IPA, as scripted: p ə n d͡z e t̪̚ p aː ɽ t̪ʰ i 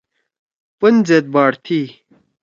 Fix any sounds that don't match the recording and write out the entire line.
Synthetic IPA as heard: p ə n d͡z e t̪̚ b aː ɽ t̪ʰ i

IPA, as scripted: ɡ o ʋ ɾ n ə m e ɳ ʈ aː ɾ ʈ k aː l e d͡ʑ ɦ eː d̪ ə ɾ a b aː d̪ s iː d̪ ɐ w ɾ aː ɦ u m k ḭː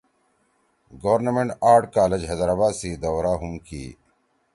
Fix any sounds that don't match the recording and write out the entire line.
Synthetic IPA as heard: ɡ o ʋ ɾ n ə m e ɳ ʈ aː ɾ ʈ k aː l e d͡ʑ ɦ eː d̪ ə ɾ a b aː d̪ s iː d̪ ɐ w ɾ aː ɦ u m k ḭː

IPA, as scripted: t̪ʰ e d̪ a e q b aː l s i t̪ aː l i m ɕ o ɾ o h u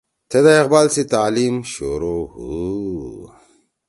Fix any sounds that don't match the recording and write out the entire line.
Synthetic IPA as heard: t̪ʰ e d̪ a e q b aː l s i t̪ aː l i m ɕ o ɾ o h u

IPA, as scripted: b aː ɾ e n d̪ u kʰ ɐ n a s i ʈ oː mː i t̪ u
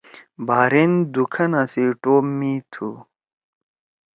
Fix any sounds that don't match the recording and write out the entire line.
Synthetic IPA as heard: b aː ɾ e n d̪ u kʰ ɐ n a s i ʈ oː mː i t̪ʰ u

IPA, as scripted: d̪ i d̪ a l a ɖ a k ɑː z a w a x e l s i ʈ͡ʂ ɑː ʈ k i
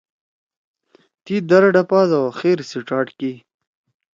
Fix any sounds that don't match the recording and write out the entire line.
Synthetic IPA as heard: t̪ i d̪ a ɾ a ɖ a p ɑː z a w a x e ɾ s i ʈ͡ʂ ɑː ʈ k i

